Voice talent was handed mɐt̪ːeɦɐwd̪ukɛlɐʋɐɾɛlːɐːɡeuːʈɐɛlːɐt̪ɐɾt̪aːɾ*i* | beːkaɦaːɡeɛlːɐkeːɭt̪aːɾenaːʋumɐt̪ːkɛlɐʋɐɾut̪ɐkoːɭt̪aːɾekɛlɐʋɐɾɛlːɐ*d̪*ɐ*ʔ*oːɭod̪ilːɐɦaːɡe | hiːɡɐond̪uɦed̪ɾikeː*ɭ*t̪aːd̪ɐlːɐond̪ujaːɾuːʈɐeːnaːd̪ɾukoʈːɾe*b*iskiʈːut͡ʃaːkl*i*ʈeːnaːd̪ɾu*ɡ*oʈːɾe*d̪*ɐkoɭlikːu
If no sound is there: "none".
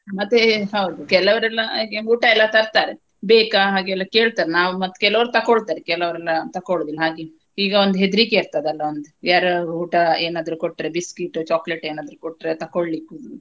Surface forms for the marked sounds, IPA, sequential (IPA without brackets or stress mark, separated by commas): e, t̪, k, ɾ, b, e, k, t̪